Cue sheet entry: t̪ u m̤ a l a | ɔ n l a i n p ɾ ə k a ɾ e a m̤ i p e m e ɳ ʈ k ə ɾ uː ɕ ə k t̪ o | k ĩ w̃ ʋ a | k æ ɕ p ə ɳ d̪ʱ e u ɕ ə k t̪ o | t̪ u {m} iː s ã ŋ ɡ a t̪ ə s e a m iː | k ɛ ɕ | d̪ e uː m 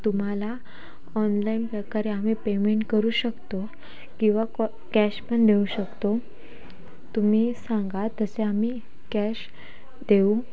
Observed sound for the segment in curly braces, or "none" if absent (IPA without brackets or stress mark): m